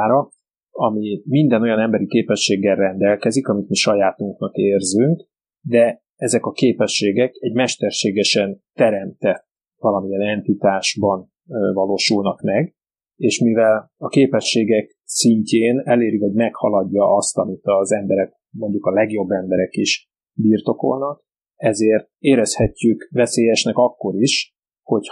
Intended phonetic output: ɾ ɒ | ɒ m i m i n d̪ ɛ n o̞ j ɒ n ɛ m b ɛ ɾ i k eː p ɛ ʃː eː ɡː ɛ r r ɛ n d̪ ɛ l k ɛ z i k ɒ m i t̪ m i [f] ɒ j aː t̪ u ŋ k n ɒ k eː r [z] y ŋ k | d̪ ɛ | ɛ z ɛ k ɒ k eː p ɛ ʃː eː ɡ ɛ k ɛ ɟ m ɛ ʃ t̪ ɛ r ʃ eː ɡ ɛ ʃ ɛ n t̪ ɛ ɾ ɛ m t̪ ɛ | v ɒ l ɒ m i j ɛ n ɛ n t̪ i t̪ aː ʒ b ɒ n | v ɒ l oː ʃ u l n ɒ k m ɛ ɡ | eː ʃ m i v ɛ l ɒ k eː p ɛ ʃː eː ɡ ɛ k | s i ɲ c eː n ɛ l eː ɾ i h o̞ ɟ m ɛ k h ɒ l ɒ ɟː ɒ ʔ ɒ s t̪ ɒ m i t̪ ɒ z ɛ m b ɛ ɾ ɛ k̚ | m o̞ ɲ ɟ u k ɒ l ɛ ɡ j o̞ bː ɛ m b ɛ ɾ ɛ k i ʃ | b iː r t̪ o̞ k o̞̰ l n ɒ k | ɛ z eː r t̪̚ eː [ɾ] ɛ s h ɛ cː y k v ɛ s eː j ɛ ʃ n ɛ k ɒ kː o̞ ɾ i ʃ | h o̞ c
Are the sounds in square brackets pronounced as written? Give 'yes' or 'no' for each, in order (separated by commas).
no, yes, yes